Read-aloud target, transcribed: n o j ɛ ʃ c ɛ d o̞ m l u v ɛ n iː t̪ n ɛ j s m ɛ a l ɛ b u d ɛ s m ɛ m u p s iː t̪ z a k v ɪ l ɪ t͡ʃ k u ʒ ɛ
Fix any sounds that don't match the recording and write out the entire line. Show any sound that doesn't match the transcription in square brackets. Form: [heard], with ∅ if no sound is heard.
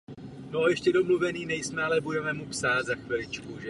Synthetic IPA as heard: n o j ɛ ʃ c ɛ d o̞ m l u v ɛ n iː [∅] n ɛ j s m ɛ a l ɛ b u d ɛ [∅] m ɛ m u p s [aː] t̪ z a [x] v ɪ l ɪ t͡ʃ k u ʒ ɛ